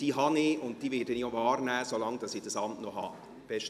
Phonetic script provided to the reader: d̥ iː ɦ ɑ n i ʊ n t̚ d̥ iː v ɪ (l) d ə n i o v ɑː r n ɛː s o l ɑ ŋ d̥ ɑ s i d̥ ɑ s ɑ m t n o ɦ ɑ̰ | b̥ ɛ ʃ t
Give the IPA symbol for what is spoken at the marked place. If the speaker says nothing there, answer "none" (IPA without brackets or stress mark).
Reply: none